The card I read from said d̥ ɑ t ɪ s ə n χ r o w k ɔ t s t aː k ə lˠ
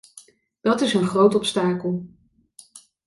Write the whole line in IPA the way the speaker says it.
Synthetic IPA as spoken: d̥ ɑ t ɪ s ə n χ r o w t ɔ p s t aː k ə lˠ